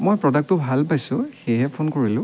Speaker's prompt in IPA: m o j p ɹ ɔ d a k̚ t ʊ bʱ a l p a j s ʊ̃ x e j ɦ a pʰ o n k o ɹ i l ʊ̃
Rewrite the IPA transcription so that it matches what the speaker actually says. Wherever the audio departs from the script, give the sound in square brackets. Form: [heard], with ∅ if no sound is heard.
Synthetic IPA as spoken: m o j p ɹ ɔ d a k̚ t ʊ bʱ a l p a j s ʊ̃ x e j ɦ [ɛ] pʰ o n k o ɹ i l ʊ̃